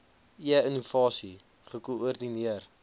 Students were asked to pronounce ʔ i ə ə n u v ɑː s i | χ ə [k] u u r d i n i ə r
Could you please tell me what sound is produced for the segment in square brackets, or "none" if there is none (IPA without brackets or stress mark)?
k